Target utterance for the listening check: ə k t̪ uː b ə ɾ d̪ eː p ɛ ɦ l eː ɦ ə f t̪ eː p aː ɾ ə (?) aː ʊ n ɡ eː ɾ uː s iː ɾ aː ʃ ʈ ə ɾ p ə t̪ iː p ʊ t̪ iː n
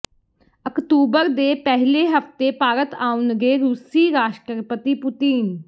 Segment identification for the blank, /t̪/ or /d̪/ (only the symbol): t̪